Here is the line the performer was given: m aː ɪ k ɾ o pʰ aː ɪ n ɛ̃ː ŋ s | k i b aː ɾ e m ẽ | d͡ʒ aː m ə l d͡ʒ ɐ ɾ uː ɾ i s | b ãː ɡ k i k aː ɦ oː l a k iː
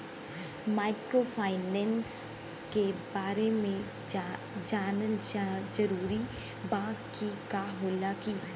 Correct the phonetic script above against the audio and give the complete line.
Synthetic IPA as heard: m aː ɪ k ɾ o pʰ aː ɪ n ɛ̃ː n s | k e b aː ɾ e m ẽ | d͡ʒ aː n ə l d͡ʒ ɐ ɾ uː ɾ i | b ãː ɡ k i k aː ɦ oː l a k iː